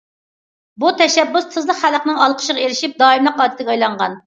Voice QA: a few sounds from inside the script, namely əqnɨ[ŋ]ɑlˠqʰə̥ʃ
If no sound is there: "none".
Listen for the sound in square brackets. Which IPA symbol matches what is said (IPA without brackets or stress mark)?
ŋ